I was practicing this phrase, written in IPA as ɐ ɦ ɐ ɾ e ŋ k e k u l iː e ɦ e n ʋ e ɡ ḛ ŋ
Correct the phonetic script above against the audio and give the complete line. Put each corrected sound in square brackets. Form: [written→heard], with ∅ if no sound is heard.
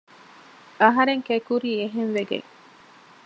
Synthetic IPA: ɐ ɦ ɐ ɾ e ŋ k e k u [l→ɾ] iː e ɦ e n ʋ e ɡ ḛ ŋ